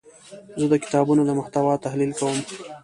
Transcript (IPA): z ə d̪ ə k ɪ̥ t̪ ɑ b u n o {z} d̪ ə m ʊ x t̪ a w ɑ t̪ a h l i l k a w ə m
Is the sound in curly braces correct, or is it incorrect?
incorrect